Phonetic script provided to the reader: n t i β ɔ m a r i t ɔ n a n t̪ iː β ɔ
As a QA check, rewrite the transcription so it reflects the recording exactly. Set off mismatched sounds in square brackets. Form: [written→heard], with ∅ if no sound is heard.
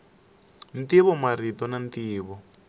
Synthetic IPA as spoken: n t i β ɔ m a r i t ɔ n a n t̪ iː β ɔ